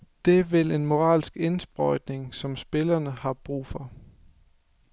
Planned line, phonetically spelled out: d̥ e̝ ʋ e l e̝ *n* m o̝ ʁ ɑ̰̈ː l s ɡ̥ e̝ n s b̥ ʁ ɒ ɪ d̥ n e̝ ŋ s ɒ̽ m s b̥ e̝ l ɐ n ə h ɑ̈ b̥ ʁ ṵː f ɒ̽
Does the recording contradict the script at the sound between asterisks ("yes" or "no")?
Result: no